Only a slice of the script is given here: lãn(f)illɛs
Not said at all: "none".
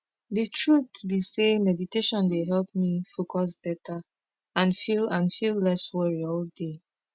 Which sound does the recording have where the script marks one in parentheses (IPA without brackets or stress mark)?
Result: f